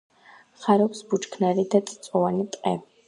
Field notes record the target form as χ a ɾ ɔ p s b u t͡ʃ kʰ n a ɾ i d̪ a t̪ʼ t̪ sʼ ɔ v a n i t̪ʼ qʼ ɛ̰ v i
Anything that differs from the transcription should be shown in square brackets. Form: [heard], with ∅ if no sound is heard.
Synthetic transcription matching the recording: χ a ɾ ɔ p s b u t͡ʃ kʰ n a ɾ i d̪ a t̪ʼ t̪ sʼ ɔ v a n i t̪ʼ qʼ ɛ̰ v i